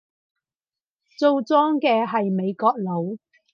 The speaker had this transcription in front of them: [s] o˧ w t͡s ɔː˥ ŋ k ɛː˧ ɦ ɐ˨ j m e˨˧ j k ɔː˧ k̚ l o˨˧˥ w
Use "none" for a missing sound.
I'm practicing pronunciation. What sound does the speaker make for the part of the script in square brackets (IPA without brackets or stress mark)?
t͡s